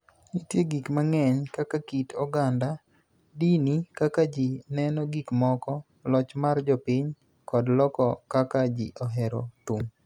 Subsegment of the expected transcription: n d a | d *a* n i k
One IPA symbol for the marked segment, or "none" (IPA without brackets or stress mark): i